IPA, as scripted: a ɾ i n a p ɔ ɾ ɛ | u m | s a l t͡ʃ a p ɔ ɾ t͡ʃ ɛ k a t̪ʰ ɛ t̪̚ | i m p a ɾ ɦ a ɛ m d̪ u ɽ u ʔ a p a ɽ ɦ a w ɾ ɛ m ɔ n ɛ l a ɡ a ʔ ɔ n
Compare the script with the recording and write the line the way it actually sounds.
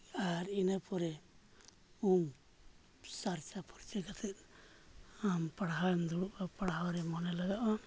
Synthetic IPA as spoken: a ɾ i n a p ɔ ɾ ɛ | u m | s a ɾ t͡ʃ a p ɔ ɾ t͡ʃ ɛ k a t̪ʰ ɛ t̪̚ | a m p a ɽ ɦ a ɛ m d̪ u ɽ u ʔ a p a ɽ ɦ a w ɾ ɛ m ɔ n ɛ l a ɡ a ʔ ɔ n